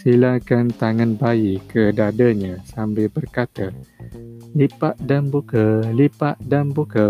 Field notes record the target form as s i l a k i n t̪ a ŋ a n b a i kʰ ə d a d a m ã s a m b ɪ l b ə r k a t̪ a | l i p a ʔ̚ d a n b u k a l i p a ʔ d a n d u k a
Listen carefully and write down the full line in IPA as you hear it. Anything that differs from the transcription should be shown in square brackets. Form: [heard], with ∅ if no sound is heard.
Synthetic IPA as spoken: s i l a k [a] n t̪ a ŋ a n b a i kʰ ə d a d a [ɲ] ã s a m b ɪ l b ə r k a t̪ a | l i p a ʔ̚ d a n b u k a l i p a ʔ d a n [b] u k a